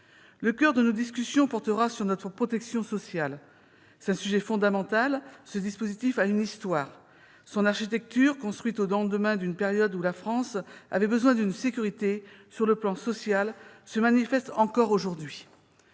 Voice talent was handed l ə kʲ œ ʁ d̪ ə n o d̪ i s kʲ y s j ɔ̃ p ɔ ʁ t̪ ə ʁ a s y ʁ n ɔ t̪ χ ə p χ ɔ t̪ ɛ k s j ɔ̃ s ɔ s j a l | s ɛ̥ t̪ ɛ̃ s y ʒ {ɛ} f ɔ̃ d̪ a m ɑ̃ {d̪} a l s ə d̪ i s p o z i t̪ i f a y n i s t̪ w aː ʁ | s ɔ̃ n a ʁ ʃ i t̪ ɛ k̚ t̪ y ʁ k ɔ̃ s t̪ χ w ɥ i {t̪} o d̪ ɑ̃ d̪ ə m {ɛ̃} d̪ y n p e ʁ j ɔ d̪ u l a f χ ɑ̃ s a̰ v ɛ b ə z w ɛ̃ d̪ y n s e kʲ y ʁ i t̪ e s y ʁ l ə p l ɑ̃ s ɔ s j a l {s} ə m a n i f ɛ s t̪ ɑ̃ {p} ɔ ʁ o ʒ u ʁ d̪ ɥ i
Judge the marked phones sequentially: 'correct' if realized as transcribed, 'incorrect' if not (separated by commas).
correct, incorrect, correct, correct, correct, incorrect